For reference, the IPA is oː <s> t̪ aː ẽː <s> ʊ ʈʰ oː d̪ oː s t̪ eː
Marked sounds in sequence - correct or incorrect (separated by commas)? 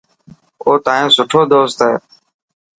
incorrect, correct